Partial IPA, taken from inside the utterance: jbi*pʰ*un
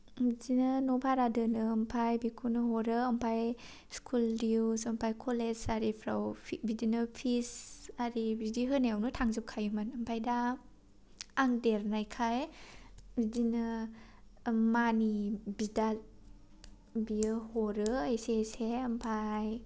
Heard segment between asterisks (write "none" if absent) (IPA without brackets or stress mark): kʰ